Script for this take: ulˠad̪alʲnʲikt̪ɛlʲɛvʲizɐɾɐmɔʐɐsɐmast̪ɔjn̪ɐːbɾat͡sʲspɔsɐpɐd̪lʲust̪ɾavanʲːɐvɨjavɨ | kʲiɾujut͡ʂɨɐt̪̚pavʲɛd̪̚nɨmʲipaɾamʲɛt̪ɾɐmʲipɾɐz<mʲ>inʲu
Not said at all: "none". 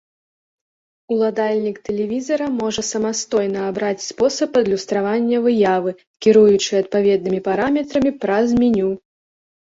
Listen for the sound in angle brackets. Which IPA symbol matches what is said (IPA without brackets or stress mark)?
mʲ